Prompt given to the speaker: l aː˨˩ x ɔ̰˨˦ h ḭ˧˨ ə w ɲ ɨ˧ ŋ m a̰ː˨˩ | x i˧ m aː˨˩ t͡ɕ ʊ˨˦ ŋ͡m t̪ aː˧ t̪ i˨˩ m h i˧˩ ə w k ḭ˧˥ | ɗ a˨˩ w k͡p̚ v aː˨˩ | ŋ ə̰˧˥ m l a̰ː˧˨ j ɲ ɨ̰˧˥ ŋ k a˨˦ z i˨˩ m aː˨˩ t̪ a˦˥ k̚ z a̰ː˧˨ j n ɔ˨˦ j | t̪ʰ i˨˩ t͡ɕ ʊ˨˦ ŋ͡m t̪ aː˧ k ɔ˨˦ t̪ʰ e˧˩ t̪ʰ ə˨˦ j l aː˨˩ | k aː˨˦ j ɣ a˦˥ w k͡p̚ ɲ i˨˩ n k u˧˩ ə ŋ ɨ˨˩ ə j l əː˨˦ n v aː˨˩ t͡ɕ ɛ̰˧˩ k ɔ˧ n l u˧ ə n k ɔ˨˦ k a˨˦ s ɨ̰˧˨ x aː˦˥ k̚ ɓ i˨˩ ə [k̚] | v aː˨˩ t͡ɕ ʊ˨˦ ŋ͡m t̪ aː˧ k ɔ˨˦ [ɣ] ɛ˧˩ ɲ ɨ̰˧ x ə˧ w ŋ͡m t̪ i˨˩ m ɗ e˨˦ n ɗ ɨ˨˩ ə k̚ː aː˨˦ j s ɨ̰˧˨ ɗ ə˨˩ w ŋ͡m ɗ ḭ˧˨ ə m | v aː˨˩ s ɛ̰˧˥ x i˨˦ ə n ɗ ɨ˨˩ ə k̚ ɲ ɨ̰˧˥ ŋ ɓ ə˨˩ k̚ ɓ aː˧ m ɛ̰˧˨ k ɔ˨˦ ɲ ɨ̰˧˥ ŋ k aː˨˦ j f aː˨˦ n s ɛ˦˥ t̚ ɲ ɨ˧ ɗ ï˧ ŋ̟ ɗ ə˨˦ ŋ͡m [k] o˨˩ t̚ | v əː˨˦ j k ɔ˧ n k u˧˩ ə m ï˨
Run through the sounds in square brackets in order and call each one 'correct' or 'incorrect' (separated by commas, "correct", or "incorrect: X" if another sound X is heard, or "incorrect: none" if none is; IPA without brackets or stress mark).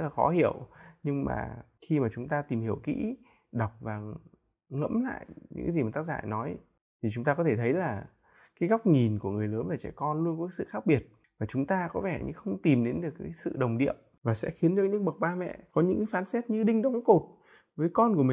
incorrect: t̚, incorrect: v, correct